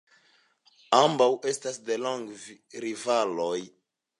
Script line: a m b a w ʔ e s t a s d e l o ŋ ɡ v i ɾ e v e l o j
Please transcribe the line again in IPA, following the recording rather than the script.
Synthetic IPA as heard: a m b a w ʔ e s t a s d e l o ŋ ɡ v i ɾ i v a l o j